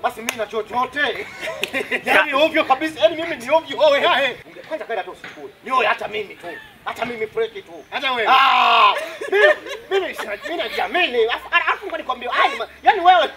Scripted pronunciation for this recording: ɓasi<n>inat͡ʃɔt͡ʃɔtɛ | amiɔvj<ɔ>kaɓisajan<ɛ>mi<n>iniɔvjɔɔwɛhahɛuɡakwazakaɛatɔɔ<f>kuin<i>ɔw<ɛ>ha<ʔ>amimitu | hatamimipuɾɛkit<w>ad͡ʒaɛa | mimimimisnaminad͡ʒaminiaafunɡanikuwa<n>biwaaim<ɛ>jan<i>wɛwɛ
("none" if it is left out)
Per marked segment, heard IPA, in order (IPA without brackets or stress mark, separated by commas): m, ɔ, i, m, s, i, ɛ, t, u, m, a, i